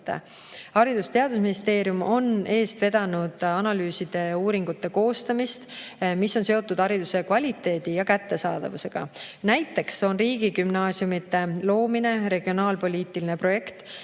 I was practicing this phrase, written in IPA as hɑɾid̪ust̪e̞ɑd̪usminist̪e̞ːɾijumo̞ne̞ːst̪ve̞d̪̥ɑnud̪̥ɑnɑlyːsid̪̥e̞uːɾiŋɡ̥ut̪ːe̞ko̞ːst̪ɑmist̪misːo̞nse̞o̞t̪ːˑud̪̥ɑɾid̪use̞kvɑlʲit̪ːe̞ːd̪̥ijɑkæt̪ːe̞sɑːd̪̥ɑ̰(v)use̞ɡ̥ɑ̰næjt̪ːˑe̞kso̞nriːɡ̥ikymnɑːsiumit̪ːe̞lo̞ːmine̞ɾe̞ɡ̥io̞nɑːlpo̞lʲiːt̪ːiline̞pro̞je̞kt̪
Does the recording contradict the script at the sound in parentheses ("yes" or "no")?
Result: no